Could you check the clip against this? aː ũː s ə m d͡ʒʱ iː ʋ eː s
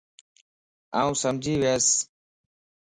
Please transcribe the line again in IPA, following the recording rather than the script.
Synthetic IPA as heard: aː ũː s ə m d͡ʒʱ iː ʋ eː s